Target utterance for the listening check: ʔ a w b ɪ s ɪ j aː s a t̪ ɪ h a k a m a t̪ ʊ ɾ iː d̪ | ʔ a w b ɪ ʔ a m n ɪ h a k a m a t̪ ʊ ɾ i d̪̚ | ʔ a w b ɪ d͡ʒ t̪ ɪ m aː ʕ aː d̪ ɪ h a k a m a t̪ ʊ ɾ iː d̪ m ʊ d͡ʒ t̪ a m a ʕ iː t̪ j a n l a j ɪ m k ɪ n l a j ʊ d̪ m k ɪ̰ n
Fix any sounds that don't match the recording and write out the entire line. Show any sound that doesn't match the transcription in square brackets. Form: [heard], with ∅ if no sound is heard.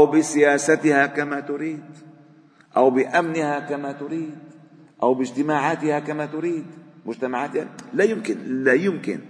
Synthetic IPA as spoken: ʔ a w b ɪ s ɪ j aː s a t̪ ɪ h a k a m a t̪ ʊ ɾ iː d̪ | ʔ a w b ɪ ʔ a m n ɪ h a k a m a t̪ ʊ ɾ [iː] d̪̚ | ʔ a w b ɪ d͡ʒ t̪ ɪ m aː ʕ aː [t̪] ɪ h a k a m a t̪ ʊ ɾ iː d̪ m ʊ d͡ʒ t̪ a m a ʕ [aː] t̪ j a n l a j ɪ m k ɪ n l a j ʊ [∅] m k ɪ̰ n